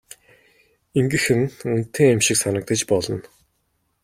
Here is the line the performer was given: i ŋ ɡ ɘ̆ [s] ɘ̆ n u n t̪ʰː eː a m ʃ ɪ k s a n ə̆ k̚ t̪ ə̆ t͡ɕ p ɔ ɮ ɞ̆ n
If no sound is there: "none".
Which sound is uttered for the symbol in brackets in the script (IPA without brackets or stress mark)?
x